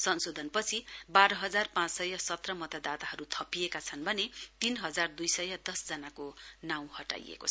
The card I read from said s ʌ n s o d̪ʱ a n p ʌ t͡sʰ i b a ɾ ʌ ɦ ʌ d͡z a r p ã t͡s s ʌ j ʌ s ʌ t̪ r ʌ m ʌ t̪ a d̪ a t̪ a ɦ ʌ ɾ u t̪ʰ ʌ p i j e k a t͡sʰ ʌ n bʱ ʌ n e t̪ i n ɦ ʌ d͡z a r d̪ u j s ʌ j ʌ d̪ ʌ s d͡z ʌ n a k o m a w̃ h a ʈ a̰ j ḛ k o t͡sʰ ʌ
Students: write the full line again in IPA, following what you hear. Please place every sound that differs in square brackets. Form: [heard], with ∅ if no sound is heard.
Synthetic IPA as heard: s ʌ n s o d̪ʱ [ʌ] n p ʌ t͡sʰ i b a ɾ ʌ ɦ ʌ d͡z a r p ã t͡s s ʌ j ʌ s ʌ t̪ r ʌ m ʌ t̪ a d̪ a t̪ a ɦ ʌ ɾ u t̪ʰ ʌ p i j e k a t͡sʰ ʌ n bʱ ʌ n e t̪ i n ɦ ʌ d͡z a r d̪ u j s ʌ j ʌ d̪ ʌ s d͡z ʌ n a k o [n] a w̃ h [ʌ] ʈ a̰ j ḛ k o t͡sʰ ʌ

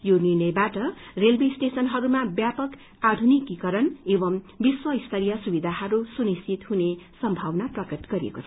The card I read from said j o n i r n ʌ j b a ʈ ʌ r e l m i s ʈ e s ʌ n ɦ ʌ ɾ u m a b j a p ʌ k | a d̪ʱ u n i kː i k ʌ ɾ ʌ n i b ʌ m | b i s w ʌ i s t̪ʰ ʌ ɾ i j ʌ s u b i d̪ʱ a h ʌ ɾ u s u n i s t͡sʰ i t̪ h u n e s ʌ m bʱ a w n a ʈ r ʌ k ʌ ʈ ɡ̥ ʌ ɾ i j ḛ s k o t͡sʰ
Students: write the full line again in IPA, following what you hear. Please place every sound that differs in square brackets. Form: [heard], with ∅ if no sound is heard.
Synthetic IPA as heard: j o n i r n ʌ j b a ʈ ʌ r e l [b] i s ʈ e s ʌ n ɦ ʌ ɾ u m a b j a p ʌ k | a d̪ʱ u n i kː i k ʌ ɾ ʌ n [e] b ʌ m | b i s w ʌ i s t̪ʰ ʌ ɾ i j ʌ s u b i d̪ʱ a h ʌ ɾ u s u n i s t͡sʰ i t̪ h u n e s ʌ m bʱ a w n a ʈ r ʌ k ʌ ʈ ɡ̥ ʌ ɾ i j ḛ [∅] k o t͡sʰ

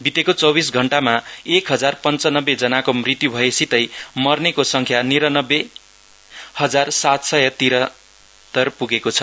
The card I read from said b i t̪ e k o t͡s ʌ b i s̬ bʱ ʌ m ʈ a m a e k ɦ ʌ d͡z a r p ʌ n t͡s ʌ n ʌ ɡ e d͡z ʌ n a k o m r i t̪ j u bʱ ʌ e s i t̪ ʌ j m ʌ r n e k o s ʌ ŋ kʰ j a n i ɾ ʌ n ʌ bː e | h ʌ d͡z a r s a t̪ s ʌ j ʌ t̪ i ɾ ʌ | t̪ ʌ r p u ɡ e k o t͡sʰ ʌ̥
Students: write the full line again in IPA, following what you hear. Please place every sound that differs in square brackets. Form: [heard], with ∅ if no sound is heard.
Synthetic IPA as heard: b i t̪ e k o t͡s ʌ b i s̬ [ɡʱ] ʌ [ɳ] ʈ a m a e k ɦ ʌ d͡z a r p ʌ n t͡s ʌ n ʌ [b] e d͡z ʌ n a k o m r i t̪ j u bʱ ʌ e s i t̪ ʌ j m ʌ r n e k o s ʌ ŋ kʰ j a n i ɾ ʌ n ʌ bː e | h ʌ d͡z a r s a t̪ s ʌ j ʌ t̪ i ɾ ʌ | t̪ ʌ r p u ɡ e k o t͡sʰ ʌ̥

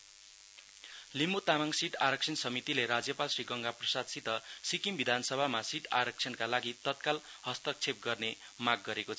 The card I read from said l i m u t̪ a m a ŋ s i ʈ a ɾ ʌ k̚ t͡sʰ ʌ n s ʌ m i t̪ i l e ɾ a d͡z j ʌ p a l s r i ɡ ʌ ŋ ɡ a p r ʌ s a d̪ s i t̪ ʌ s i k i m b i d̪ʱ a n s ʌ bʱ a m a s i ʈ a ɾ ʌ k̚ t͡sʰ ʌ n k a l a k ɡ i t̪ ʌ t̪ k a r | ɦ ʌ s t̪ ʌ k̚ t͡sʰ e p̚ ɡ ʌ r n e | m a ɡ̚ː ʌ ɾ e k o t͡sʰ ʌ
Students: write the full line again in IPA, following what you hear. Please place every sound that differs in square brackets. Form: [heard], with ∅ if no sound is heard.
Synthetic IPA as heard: l i m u t̪ a m a ŋ s i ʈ a ɾ ʌ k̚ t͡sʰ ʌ n s ʌ m i t̪ i l e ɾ a d͡z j ʌ p a l s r i ɡ ʌ ŋ ɡ a p r ʌ s a d̪ s i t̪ ʌ s i k i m b i d̪ʱ a n s ʌ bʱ a m a s i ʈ a ɾ ʌ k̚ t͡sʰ ʌ n k a l a [∅] ɡ i t̪ ʌ t̪ k a [l] | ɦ ʌ s t̪ ʌ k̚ t͡sʰ e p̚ ɡ ʌ r n e | m a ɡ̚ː ʌ ɾ e k o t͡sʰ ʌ

